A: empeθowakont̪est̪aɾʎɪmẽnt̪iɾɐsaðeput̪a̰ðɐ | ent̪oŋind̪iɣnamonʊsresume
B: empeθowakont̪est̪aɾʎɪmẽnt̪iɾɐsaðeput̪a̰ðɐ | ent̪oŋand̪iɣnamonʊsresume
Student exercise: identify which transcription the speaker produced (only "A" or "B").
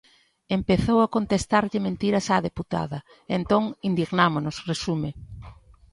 A